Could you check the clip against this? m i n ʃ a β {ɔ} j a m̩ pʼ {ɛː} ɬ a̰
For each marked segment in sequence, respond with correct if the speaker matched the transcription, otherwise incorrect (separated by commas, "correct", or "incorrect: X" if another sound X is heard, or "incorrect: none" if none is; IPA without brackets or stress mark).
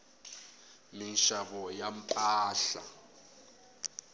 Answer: correct, incorrect: aː